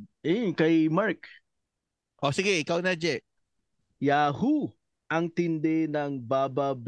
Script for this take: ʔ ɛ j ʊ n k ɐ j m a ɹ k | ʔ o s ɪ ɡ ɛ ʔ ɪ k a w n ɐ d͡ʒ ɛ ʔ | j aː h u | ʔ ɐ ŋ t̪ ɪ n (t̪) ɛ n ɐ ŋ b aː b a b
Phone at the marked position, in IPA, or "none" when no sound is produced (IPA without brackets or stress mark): d̪